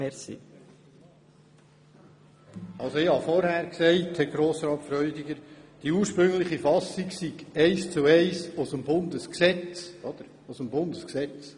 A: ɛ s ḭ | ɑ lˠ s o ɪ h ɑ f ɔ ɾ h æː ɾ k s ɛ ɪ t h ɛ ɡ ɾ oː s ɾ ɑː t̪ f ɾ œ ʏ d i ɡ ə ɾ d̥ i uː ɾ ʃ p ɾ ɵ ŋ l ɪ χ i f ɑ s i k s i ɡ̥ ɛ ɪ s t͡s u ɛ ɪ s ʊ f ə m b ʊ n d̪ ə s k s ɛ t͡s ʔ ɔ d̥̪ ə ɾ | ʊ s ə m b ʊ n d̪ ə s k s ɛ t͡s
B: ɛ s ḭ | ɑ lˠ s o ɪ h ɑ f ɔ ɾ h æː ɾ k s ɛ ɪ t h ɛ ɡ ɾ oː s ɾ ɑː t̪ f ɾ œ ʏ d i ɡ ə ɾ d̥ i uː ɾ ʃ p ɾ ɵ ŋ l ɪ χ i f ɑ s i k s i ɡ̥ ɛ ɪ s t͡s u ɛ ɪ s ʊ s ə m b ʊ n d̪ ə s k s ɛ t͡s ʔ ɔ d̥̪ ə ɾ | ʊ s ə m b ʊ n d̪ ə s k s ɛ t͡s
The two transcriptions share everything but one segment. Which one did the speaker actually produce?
B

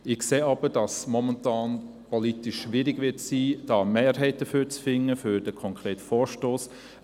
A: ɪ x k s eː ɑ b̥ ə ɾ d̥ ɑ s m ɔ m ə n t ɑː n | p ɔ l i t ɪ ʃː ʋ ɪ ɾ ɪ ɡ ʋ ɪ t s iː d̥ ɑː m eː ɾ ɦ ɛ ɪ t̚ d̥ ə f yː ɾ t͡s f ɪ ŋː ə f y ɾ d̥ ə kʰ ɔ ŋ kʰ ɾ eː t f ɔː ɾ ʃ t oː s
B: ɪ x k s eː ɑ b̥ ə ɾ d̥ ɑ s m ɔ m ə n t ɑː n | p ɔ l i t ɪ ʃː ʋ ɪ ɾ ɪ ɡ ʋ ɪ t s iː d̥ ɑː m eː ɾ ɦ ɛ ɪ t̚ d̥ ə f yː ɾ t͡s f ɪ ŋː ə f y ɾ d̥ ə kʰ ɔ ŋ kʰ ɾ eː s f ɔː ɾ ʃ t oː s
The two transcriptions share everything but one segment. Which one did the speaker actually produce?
A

